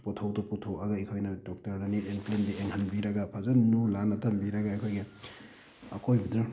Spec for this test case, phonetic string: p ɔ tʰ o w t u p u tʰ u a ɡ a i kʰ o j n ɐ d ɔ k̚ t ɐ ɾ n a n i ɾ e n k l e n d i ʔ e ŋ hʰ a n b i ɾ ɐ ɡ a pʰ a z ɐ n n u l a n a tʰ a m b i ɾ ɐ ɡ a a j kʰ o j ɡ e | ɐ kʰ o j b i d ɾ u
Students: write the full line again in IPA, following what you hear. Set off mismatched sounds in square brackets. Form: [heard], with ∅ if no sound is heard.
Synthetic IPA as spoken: p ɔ tʰ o w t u p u tʰ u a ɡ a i kʰ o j n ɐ d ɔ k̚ t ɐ ɾ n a n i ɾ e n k l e n d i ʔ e ŋ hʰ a n b i ɾ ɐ ɡ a pʰ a z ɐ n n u l a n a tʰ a m b i ɾ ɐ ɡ a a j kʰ o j ɡ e | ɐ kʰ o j b i d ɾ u

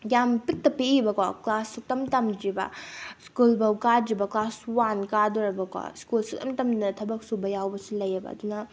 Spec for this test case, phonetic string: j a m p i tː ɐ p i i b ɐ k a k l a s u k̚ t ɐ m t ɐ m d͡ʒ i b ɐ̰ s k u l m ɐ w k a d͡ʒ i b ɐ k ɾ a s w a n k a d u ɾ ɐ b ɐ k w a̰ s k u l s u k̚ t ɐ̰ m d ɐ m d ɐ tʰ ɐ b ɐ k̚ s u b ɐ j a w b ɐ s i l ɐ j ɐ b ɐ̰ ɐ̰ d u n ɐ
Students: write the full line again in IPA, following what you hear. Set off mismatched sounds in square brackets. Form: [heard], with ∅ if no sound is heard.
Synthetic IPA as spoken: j a m p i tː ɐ p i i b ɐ k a k l a s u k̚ t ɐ m t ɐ m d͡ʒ i b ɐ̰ s k u l [b] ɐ w k a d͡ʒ i b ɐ k [l] a s w a n k a d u ɾ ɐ b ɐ k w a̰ s k u l s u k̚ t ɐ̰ m [t] ɐ m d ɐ tʰ ɐ b ɐ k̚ s u b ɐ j a w b ɐ s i l ɐ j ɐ b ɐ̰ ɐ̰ d u n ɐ

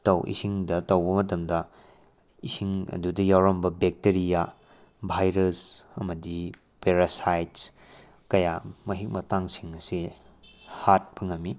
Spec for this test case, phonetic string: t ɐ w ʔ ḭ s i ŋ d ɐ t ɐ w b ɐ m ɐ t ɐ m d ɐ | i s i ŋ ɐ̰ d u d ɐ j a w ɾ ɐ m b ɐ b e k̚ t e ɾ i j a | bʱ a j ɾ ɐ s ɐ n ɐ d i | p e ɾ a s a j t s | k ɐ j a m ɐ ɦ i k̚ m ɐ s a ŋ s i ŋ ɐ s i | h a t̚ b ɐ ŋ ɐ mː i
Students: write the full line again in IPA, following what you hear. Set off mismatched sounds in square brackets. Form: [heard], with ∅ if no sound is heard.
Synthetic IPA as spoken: t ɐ w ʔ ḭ s i ŋ d ɐ t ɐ w b ɐ m ɐ t ɐ m d ɐ | i s i ŋ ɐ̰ d u d ɐ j a w ɾ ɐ m b ɐ b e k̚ t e ɾ i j a | bʱ a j ɾ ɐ s ɐ [m] ɐ d i | p e ɾ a s a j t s | k ɐ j a m ɐ ɦ i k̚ m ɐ [t] a ŋ s i ŋ ɐ s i | h a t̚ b ɐ ŋ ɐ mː i

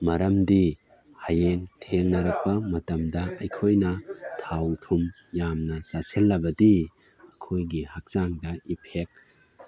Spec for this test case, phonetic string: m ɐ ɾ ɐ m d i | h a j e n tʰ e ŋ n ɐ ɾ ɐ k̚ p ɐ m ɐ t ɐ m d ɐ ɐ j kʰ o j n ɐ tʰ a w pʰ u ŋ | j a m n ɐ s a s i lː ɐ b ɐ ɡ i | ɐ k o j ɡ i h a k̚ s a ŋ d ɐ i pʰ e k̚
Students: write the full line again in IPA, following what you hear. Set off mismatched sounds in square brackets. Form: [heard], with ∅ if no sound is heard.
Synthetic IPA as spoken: m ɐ ɾ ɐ m d i | h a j e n tʰ e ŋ n ɐ ɾ ɐ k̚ p ɐ m ɐ t ɐ m d ɐ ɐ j kʰ o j n ɐ tʰ a w [tʰ] u [m] | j a m n ɐ s a s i lː ɐ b ɐ [d] i | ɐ [kʰ] o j ɡ i h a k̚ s a ŋ d ɐ i pʰ e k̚

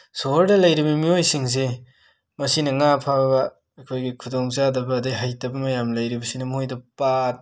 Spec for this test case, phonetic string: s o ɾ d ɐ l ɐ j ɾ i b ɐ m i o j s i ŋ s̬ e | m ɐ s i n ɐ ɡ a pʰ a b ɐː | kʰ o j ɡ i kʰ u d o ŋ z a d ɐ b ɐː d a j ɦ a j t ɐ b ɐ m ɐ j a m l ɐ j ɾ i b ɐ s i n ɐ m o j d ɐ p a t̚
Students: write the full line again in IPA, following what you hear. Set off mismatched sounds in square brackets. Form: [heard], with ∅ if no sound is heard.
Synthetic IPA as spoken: s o ɾ d ɐ l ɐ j ɾ i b ɐ m i o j s i ŋ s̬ e | m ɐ s i n ɐ [ŋ] a pʰ a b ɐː | kʰ o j ɡ i kʰ u d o ŋ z a d ɐ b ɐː d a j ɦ a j t ɐ b ɐ m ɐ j a m l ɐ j ɾ i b ɐ s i n ɐ m o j d ɐ p a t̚

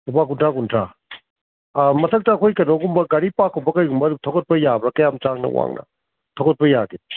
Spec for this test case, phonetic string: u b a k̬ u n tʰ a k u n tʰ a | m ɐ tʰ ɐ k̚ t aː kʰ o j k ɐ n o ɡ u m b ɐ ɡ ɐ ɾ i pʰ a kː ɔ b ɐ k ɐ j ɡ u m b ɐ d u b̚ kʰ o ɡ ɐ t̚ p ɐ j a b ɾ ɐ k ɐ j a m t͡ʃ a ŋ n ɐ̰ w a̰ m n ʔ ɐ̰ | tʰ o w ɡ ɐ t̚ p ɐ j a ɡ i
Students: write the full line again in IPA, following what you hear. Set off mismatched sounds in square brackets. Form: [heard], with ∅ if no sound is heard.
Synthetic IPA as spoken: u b a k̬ u n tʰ a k u n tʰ a | m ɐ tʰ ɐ k̚ t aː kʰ o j k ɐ n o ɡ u m b ɐ ɡ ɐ ɾ i [p] a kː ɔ b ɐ k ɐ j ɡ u m b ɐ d u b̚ [tʰ] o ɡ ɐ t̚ p ɐ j a b ɾ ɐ k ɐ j a m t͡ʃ a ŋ n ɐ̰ w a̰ [ŋ] n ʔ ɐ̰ | tʰ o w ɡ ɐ t̚ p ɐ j a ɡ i

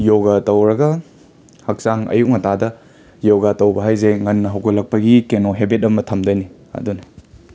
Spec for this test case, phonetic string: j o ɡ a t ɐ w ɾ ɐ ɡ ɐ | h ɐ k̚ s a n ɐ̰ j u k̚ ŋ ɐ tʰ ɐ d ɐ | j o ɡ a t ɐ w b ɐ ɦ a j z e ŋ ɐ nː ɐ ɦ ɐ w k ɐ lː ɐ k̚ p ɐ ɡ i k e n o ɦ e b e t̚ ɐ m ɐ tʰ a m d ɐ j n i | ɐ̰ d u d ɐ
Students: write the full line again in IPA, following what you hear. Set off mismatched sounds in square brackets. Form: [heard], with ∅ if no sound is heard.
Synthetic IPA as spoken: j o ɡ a t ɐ w ɾ ɐ ɡ ɐ | h ɐ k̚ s a [ŋ] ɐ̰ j u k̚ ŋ ɐ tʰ [a] d ɐ | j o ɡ a t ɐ w b ɐ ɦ a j z e ŋ ɐ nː ɐ ɦ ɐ w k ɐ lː ɐ k̚ p ɐ ɡ i k e n o ɦ e b e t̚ ɐ m ɐ tʰ [ɐ] m d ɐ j n i | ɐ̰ d u [n] ɐ

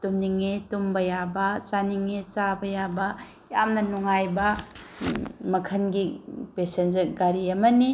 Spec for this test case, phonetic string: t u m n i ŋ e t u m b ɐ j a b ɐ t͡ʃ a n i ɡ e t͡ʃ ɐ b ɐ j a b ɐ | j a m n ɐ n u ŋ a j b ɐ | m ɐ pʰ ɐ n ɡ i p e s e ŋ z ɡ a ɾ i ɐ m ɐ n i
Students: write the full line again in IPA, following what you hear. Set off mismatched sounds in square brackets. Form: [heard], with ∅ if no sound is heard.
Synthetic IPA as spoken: t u m n i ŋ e t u m b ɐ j a b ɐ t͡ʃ a n i [ŋ] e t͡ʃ [a] b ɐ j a b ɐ | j a m n ɐ n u ŋ a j b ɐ | m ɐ [kʰ] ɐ n ɡ i p e s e [n] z ɡ a ɾ i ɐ m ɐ n i

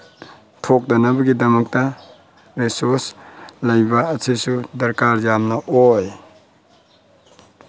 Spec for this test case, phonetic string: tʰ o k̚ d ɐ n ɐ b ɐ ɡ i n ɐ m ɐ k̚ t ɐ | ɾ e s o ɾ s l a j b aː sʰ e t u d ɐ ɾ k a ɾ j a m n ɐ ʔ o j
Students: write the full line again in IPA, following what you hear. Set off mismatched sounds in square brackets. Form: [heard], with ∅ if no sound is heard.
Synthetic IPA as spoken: tʰ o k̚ d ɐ n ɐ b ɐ ɡ i [d] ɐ m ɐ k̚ t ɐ | ɾ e s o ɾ s l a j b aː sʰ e [s] u d ɐ ɾ k a ɾ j a m n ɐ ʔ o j

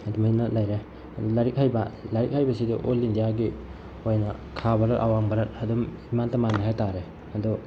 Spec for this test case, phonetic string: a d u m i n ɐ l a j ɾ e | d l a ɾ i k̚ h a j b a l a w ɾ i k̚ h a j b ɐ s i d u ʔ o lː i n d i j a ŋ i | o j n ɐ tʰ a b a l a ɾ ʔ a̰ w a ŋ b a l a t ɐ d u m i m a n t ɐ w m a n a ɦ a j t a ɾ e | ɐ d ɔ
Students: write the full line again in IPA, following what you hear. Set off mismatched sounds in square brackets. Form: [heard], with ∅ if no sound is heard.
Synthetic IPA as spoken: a d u m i n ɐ l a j ɾ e | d l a ɾ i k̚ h a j b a l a [∅] ɾ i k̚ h a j b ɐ s i d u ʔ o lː i n d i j a [ɡ] i | o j n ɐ [kʰ] a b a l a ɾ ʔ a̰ w a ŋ b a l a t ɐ d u m i m a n t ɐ [∅] m a n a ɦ a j t a ɾ e | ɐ d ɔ

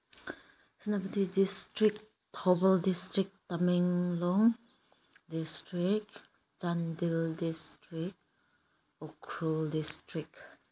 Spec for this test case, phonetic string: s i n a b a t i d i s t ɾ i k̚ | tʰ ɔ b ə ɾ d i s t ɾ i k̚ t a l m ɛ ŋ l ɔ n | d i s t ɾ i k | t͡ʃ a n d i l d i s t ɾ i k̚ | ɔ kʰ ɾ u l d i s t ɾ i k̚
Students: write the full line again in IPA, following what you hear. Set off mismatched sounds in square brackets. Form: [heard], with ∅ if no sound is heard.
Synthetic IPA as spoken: s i n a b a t i d i s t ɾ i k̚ | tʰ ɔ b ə [l] d i s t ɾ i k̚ t a [∅] m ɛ ŋ l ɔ [ŋ] | d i s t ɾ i k | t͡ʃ a n d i l d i s t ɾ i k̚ | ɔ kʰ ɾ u l d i s t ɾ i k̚

